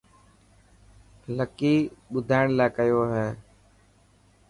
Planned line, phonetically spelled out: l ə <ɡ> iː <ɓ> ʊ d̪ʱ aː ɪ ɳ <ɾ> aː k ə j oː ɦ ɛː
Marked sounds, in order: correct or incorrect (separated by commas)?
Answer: incorrect, correct, incorrect